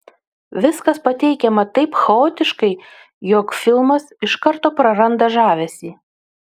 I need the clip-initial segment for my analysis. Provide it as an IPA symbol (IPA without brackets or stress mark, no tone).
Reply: ʋʲ